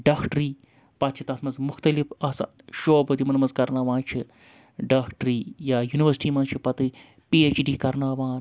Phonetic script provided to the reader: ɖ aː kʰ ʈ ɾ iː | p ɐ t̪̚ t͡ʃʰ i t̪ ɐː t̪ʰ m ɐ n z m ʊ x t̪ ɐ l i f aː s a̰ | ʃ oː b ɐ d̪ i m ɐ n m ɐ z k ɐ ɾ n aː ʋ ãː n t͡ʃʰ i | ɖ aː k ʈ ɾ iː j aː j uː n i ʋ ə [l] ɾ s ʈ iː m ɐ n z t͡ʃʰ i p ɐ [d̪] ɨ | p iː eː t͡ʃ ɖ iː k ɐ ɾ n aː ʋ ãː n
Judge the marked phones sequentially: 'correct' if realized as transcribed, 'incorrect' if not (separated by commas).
incorrect, incorrect